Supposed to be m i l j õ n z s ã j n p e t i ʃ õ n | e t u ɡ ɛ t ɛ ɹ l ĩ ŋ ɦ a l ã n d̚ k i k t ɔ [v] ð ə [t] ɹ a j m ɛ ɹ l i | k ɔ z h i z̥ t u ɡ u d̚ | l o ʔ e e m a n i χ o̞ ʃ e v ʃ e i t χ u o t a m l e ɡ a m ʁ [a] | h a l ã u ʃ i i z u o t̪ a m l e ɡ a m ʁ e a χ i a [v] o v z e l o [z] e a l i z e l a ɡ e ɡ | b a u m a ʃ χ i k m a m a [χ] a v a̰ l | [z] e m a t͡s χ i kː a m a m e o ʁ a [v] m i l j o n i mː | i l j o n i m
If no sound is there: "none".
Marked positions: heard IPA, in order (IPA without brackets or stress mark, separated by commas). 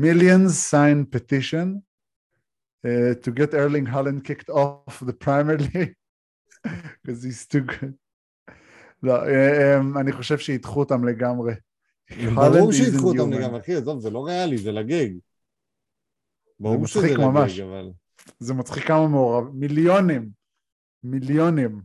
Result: f, p, e, z, ʁ, ʃ, z, v